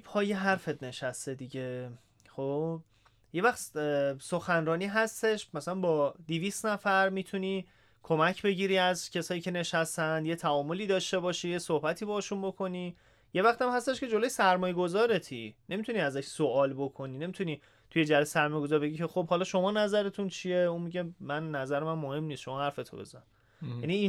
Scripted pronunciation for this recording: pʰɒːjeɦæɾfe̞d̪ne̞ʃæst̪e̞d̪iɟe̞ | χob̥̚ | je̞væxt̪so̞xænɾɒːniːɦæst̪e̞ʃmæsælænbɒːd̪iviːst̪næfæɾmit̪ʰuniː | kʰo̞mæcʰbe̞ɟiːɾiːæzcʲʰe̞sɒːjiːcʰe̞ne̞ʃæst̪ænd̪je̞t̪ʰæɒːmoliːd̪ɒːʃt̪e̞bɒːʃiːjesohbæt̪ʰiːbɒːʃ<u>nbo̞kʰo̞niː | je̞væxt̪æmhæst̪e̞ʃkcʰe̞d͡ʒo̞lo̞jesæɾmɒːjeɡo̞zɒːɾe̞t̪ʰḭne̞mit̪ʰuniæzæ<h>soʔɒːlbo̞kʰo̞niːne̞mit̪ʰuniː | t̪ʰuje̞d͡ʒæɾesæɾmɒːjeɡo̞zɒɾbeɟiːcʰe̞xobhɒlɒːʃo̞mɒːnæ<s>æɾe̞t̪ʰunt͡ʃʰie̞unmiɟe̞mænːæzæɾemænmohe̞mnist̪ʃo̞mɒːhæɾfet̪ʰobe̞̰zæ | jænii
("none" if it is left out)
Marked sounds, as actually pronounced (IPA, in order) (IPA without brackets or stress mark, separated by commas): u, ʃ, z